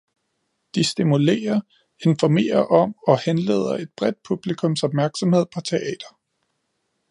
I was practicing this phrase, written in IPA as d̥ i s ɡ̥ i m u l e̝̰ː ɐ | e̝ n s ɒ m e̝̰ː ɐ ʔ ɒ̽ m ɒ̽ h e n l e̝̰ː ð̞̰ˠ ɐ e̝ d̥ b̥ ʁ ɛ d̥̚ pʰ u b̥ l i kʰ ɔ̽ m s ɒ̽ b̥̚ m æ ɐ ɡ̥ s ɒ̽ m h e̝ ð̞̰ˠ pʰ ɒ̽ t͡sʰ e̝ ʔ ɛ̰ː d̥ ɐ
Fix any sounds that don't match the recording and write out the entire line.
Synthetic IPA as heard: d̥ i s d̥ i m u l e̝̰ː ɐ | e̝ n f ɒ m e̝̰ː ɐ ʔ ɒ̽ m ɒ̽ h e n l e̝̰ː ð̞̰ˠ ɐ e̝ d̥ b̥ ʁ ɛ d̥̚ pʰ u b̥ l i kʰ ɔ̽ m s ɒ̽ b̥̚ m æ ɐ ɡ̥ s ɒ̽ m h e̝ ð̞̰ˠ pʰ ɒ̽ t͡sʰ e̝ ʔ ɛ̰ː d̥ ɐ